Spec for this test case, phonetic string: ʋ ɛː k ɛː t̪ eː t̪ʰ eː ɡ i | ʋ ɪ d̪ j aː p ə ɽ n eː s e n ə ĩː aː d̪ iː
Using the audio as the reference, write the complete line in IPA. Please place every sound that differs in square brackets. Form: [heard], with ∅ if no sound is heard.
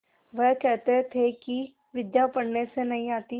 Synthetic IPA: ʋ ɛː k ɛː t̪ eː t̪ʰ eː [k] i | ʋ ɪ d̪ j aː p ə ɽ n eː s e n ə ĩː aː [t̪] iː